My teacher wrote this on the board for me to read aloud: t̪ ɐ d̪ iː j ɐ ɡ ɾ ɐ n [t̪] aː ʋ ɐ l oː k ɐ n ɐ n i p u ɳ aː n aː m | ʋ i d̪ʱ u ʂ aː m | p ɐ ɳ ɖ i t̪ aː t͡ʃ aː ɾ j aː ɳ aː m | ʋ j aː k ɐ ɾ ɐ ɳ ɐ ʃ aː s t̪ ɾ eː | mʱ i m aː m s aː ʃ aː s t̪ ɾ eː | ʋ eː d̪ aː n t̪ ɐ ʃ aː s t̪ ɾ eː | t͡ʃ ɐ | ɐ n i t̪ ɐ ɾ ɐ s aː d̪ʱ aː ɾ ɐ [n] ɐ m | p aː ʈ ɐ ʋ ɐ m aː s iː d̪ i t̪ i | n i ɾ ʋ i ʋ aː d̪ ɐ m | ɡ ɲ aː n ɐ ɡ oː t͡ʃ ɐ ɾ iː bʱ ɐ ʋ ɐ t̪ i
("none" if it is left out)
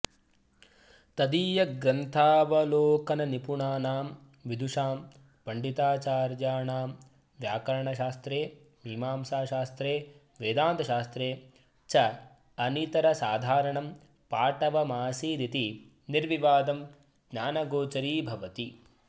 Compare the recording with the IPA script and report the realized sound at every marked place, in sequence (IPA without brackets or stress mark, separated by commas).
t̪ʰ, ɳ